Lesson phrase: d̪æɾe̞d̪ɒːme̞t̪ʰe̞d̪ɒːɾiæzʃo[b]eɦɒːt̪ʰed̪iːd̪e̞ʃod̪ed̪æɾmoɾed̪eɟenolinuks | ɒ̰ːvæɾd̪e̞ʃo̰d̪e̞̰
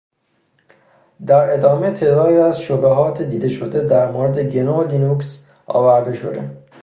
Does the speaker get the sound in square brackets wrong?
no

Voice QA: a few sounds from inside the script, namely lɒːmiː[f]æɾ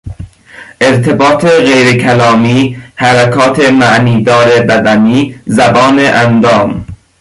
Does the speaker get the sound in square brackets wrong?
yes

